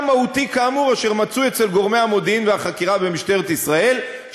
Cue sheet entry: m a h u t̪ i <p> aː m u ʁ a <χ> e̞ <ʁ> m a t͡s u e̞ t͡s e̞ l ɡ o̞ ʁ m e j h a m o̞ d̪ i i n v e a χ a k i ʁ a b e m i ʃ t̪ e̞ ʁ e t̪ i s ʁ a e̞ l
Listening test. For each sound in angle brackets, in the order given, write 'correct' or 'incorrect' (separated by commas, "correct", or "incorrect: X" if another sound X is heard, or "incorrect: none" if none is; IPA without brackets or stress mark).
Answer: incorrect: k, incorrect: ʃ, correct